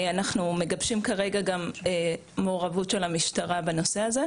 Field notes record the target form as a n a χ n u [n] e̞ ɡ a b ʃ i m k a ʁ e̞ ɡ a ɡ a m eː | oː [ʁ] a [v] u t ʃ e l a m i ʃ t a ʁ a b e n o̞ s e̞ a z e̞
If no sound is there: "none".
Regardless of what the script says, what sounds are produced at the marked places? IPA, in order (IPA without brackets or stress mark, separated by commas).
m, ʁ, v